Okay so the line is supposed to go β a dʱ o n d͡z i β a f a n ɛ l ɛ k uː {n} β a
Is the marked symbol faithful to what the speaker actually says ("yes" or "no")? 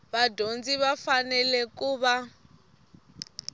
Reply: no